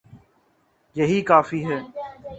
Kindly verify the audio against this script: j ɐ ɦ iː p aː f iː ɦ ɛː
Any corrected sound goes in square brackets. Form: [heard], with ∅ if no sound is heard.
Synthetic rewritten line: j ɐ ɦ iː [k] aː f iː ɦ ɛː